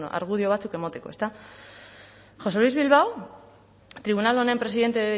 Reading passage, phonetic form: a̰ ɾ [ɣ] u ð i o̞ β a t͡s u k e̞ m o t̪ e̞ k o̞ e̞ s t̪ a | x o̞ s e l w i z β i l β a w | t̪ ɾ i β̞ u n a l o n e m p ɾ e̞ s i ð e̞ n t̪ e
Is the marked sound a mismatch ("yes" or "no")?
no